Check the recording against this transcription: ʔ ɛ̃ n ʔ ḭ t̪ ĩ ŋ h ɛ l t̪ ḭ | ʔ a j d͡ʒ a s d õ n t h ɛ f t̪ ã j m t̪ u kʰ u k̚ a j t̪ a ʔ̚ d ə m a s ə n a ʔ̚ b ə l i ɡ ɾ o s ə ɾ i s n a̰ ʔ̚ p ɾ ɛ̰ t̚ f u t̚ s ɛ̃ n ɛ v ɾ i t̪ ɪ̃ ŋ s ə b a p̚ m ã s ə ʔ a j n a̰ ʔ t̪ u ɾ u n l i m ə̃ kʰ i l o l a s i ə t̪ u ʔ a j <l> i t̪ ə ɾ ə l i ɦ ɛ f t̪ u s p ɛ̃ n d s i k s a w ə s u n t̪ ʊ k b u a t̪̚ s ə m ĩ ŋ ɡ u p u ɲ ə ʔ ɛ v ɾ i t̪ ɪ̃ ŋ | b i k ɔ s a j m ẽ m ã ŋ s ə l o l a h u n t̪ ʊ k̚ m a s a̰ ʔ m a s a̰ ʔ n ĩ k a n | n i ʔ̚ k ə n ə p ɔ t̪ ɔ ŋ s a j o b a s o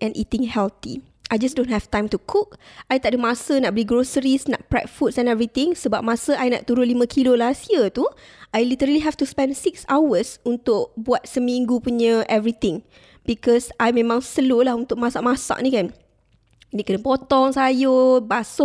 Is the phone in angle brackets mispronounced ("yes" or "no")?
no